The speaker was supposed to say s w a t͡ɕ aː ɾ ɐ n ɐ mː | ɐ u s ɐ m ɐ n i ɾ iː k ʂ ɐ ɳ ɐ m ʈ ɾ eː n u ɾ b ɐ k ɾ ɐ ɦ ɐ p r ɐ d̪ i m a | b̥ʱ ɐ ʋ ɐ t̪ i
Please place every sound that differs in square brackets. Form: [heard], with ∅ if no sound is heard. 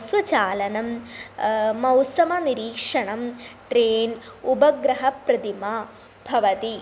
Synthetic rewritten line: s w [ɐ] t͡ɕ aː [l] ɐ n ɐ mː | ɐ [w] s ɐ m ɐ n i ɾ iː k ʂ ɐ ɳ ɐ m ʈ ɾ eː n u [∅] b ɐ [ɡ] ɾ ɐ ɦ ɐ p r ɐ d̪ i m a | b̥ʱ ɐ ʋ ɐ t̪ i